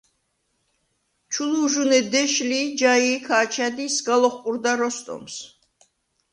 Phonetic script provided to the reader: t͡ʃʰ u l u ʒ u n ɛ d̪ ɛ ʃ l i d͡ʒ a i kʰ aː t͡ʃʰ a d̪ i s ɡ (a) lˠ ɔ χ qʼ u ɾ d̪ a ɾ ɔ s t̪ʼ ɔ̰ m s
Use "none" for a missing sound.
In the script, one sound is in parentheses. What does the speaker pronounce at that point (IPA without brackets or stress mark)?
a